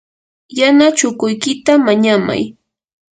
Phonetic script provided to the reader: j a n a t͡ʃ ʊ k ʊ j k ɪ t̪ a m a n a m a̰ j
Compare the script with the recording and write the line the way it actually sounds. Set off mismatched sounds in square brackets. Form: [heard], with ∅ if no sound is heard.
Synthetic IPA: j a n a t͡ʃ ʊ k ʊ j k ɪ t̪ a m a [ɲ] a m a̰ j